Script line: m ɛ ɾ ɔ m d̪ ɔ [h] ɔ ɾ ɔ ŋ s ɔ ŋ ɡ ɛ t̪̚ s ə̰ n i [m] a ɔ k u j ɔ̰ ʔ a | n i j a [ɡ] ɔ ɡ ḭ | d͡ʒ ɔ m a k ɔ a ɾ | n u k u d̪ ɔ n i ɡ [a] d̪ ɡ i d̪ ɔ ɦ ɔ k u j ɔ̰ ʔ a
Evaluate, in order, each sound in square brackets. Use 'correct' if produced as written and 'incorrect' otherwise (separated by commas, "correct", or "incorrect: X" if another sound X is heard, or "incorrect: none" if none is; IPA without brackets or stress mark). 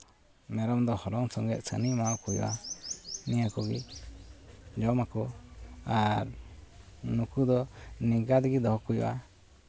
correct, correct, incorrect: k, correct